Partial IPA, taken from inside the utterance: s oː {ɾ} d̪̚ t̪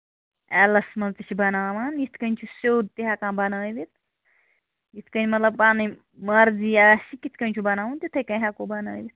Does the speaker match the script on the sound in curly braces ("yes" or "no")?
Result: no